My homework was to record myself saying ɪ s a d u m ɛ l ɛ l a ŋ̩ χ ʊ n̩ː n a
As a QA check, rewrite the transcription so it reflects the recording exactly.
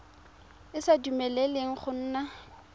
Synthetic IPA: ɪ s a d u m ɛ l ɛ l e ŋ̩ χ ʊ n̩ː n a